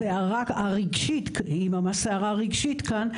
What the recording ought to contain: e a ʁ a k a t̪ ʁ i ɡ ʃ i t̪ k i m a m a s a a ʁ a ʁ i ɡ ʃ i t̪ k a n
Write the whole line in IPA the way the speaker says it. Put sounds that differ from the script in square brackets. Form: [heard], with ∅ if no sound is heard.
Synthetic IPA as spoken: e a ʁ a k a [∅] ʁ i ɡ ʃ i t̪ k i m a m a s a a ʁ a ʁ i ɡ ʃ i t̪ k a n